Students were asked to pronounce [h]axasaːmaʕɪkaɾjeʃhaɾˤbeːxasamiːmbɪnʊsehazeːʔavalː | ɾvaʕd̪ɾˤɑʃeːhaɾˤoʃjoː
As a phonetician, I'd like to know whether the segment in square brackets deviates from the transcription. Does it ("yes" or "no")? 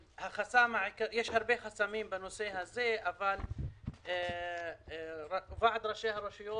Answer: no